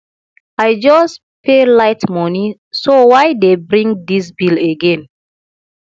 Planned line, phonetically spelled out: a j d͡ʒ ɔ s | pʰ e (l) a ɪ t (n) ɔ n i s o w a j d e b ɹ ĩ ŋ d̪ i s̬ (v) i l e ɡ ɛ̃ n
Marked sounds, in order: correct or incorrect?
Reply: correct, incorrect: m, incorrect: b

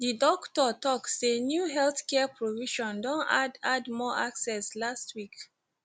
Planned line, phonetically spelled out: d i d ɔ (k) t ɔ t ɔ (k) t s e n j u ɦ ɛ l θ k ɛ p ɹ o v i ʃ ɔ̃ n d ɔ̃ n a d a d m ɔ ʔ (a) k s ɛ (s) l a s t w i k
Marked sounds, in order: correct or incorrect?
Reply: correct, correct, correct, correct

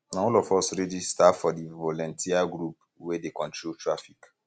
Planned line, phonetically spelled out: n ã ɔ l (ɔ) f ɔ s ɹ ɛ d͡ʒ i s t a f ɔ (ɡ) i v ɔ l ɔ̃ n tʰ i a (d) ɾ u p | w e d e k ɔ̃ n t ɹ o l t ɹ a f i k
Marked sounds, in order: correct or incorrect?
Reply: correct, incorrect: d, incorrect: ɡ

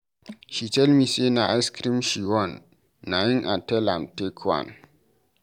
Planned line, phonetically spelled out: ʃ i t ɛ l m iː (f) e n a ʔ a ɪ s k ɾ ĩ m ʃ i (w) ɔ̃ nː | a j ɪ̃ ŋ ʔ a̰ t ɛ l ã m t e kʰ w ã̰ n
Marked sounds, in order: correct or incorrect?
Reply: incorrect: s, correct

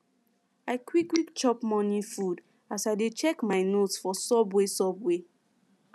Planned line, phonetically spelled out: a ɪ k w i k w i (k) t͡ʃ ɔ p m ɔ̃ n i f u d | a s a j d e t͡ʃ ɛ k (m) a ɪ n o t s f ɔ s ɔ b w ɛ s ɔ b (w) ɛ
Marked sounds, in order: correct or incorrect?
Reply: correct, correct, correct

